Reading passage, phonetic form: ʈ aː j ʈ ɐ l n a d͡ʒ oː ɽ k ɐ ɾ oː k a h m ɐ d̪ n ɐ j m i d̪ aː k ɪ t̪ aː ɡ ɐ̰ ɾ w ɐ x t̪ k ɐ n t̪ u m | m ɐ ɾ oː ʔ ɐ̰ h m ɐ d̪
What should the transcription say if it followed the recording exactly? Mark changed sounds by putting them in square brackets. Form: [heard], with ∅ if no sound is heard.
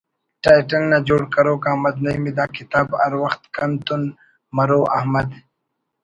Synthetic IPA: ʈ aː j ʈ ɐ l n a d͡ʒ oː ɽ k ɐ ɾ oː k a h m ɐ d̪ n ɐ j m i d̪ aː k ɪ t̪ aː [b] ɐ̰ ɾ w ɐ x t̪ k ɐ n t̪ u [n] | m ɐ ɾ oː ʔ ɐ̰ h m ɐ d̪